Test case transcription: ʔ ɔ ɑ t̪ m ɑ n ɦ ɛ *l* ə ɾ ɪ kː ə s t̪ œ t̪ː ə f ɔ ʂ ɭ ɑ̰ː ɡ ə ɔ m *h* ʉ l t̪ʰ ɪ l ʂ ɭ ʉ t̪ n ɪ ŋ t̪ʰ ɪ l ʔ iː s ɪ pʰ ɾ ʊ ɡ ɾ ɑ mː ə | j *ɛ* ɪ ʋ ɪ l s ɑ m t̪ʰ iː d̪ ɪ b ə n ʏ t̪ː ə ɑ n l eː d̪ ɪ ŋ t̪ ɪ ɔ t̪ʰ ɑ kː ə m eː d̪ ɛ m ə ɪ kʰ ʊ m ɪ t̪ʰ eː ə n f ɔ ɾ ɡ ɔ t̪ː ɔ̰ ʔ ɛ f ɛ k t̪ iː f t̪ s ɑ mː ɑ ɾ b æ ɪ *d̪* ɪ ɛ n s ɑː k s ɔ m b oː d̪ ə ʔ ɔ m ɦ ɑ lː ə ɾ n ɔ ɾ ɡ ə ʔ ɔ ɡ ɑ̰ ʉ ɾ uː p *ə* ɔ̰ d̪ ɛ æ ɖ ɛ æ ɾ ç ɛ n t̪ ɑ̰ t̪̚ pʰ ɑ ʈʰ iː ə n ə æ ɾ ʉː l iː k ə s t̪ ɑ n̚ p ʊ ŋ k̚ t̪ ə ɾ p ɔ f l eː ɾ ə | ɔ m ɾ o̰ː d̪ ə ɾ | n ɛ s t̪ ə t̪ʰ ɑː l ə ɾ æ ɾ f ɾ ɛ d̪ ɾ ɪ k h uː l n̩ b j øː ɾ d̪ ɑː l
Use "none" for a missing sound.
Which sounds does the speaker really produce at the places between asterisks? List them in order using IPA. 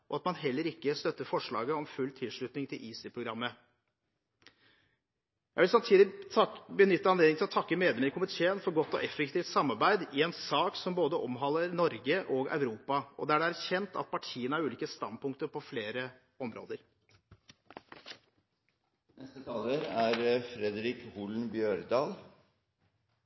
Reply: lː, f, æ, d̪, ɑ

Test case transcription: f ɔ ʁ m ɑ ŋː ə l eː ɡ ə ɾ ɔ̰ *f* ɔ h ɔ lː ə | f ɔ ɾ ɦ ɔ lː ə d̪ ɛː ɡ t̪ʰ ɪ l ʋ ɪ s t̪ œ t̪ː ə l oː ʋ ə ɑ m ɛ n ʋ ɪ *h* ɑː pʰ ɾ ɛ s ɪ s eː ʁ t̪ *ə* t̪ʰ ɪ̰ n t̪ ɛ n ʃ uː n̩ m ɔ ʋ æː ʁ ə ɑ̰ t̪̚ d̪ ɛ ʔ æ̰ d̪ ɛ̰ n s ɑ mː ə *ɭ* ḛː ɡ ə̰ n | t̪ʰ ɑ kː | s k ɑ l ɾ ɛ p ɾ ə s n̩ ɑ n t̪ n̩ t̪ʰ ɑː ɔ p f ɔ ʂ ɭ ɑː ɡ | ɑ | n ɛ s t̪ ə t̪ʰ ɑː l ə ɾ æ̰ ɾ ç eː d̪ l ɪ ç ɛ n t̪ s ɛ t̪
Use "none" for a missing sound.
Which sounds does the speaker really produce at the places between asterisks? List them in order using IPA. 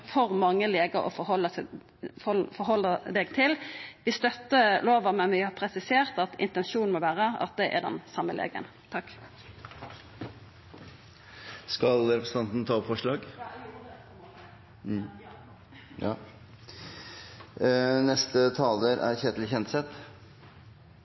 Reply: f, h, ɑ, l

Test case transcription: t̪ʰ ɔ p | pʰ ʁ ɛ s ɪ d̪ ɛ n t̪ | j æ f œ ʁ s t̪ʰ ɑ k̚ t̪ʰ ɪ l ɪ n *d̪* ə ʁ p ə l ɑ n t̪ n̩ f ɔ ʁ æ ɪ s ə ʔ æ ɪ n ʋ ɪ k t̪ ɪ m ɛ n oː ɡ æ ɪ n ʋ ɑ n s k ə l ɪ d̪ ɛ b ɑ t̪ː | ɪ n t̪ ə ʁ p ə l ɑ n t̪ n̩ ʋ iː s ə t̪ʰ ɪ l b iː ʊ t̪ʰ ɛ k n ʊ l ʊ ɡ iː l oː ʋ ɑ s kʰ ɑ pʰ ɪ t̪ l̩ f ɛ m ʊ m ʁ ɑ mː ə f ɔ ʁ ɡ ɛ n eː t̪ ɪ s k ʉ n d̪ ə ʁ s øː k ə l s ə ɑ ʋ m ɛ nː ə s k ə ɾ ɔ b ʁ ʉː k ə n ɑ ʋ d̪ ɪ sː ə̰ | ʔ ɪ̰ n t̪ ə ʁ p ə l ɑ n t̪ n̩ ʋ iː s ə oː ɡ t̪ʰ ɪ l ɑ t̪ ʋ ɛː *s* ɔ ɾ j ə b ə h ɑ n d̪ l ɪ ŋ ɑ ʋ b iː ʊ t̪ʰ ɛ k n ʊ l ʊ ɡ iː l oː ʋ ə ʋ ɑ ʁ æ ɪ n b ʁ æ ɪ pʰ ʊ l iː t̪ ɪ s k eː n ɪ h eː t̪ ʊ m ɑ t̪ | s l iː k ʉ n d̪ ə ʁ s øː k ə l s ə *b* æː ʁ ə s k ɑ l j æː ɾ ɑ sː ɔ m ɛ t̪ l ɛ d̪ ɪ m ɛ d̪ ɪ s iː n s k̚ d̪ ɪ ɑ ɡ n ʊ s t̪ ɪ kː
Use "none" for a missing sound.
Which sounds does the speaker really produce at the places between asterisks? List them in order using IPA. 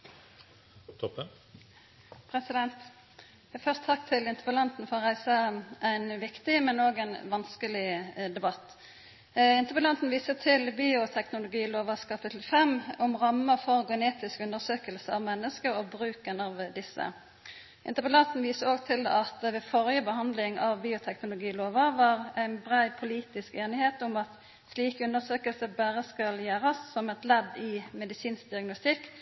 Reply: t̪, f, b

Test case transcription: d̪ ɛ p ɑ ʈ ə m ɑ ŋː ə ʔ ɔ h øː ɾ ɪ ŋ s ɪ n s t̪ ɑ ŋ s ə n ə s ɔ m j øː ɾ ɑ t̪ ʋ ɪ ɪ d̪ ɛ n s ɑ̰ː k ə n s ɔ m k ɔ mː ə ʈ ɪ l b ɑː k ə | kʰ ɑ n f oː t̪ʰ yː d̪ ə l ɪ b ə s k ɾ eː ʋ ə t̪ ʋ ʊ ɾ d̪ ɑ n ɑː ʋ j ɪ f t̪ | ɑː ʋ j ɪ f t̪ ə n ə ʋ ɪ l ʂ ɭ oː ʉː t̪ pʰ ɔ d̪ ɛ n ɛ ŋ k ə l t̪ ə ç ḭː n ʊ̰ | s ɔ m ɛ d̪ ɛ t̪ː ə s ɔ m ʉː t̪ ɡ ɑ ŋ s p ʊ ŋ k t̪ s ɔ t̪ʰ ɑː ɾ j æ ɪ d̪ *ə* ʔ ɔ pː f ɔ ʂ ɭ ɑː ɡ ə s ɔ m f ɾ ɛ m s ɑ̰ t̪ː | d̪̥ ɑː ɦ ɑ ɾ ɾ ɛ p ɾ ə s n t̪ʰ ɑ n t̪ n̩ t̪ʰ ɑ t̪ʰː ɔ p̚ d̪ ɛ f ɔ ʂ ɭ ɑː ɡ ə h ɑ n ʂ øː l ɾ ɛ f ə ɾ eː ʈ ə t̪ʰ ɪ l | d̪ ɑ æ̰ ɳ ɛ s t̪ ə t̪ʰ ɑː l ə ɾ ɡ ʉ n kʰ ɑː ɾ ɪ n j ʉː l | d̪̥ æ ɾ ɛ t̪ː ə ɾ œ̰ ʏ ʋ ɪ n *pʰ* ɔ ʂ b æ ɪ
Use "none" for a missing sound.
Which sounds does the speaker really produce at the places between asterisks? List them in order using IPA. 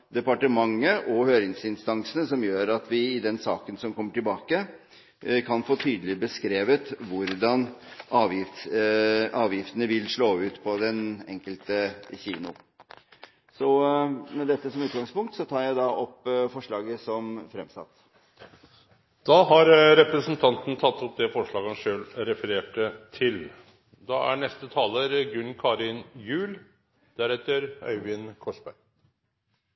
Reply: ɑ, kʰ

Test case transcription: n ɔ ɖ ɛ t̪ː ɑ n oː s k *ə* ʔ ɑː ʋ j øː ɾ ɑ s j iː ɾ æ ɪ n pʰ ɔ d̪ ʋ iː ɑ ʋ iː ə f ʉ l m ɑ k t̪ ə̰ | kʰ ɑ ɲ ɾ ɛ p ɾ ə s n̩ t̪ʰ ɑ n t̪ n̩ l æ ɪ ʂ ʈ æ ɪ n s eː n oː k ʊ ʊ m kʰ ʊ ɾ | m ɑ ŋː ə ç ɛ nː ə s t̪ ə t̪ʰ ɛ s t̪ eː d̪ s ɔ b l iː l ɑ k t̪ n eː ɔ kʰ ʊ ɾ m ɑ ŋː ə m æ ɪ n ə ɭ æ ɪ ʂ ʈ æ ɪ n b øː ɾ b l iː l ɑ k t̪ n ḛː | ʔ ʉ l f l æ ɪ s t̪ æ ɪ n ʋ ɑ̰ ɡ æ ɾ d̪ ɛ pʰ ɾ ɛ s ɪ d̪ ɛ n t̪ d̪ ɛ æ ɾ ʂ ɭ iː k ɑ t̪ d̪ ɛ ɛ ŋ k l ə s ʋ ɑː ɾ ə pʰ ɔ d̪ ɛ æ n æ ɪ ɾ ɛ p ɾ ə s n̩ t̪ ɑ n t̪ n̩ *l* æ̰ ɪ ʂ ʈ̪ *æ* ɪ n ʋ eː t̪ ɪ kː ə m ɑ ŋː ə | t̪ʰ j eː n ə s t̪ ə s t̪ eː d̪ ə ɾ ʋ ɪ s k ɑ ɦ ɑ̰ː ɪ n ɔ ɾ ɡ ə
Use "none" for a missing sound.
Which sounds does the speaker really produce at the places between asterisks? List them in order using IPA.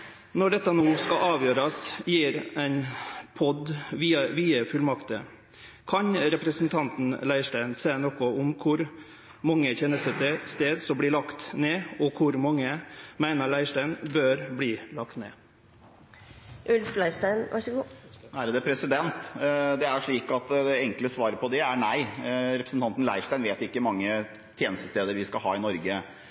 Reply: ɑ, l, æ

